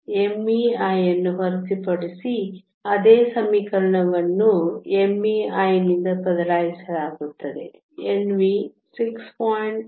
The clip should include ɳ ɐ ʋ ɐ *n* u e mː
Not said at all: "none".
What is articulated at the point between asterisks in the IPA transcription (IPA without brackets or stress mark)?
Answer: nː